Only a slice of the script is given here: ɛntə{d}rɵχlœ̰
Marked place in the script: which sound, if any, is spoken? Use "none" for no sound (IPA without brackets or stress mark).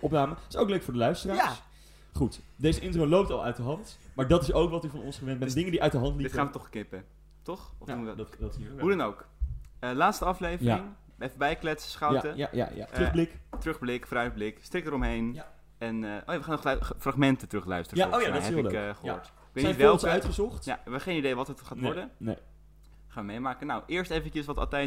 t